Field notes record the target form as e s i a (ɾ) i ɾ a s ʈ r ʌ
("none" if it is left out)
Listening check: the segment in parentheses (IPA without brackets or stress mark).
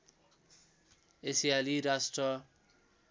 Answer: l